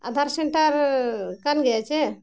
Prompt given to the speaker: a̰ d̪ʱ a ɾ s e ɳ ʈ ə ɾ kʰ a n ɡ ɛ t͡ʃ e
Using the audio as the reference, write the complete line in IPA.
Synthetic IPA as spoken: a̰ d̪ʱ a ɾ s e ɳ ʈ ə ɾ k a n ɡ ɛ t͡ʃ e